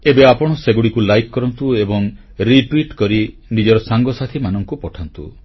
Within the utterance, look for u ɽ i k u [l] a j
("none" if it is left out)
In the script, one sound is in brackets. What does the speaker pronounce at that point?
l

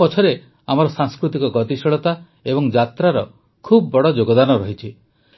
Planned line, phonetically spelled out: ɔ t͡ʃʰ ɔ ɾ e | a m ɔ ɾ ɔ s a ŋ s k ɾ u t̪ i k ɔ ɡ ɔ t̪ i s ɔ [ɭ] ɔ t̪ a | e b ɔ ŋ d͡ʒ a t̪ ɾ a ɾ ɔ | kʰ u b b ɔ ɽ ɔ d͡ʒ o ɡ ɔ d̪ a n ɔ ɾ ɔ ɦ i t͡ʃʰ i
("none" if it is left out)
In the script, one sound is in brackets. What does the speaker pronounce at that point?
ɭ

